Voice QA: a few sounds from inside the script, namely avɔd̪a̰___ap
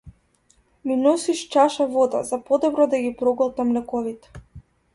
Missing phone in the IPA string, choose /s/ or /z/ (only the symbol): z